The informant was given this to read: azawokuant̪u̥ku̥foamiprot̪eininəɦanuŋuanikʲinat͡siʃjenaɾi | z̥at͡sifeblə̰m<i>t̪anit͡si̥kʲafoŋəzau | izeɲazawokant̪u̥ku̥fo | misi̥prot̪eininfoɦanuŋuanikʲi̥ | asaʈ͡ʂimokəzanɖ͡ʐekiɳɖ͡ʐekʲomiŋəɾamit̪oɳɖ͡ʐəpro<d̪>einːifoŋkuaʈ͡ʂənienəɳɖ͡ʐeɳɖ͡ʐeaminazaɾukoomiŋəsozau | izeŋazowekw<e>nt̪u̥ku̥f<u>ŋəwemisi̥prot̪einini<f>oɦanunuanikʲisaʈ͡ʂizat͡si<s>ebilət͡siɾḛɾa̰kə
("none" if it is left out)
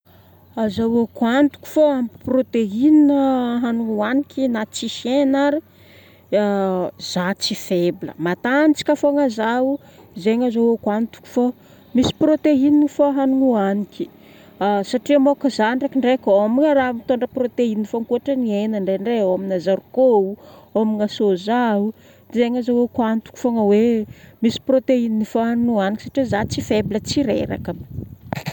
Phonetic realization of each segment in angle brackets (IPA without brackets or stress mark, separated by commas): a, t̪, a, o, f, f